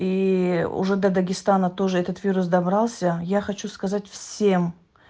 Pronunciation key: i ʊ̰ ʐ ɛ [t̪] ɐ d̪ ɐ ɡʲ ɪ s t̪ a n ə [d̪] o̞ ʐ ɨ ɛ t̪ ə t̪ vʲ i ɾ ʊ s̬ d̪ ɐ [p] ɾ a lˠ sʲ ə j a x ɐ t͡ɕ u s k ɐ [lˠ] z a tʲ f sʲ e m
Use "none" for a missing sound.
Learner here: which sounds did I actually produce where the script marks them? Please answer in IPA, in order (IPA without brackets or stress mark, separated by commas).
d̪, t̪, b, none